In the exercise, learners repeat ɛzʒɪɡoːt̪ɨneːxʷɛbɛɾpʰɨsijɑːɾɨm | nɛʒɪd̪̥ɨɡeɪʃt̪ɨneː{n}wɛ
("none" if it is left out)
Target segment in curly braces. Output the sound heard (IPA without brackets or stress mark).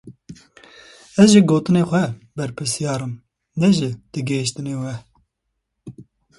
none